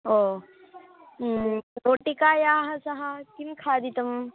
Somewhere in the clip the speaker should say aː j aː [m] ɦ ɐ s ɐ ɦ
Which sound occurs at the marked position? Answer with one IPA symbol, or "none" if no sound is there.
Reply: none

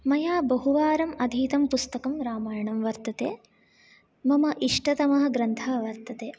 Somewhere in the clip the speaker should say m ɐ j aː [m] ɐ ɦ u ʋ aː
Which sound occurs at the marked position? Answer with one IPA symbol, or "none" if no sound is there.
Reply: b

